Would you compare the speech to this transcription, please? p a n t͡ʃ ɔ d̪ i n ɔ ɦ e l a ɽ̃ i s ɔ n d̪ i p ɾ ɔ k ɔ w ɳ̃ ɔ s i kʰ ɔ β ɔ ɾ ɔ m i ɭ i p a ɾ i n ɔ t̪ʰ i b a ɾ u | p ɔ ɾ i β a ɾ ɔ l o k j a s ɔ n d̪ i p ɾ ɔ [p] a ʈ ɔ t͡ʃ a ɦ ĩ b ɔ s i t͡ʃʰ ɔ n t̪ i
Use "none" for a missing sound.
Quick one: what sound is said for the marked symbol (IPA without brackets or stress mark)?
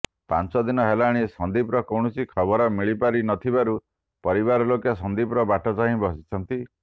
b